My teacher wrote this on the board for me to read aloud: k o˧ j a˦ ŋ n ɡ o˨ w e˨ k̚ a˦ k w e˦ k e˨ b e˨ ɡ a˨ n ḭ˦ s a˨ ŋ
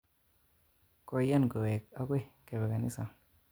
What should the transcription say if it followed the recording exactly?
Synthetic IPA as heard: k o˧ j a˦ n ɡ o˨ w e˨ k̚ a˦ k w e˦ k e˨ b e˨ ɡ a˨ n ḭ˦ s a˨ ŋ